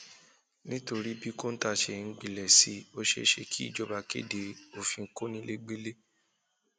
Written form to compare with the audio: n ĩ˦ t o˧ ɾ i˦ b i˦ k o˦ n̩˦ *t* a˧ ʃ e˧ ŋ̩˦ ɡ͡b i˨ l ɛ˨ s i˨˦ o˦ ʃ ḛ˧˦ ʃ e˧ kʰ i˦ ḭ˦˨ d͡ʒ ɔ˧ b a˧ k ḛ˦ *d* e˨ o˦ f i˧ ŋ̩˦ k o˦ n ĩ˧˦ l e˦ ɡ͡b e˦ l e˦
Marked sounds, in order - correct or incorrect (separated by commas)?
correct, correct